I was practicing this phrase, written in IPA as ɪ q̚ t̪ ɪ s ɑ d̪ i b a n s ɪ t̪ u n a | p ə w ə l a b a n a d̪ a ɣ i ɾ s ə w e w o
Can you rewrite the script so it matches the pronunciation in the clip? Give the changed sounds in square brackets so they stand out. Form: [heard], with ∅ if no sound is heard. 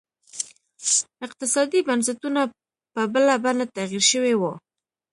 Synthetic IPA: ɪ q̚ t̪ ɪ s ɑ d̪ i b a n s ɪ t̪ u n a | p ə [b] ə l a b a n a [t̪] a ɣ i ɾ [ʃ] ə w e w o